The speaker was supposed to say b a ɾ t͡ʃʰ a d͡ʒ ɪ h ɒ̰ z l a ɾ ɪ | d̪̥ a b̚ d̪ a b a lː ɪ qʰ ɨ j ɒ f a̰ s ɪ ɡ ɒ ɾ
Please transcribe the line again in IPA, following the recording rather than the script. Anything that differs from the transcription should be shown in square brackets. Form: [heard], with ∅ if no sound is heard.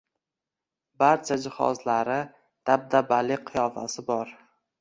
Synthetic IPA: b a ɾ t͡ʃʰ a d͡ʒ ɪ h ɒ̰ z l a ɾ ɪ | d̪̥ a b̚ d̪ a b a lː ɪ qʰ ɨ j ɒ f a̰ s ɪ [b] ɒ ɾ